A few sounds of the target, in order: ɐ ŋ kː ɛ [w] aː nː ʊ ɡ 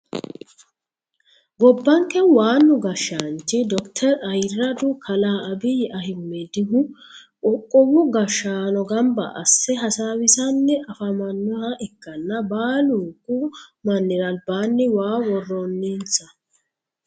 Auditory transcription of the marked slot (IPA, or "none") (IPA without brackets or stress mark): w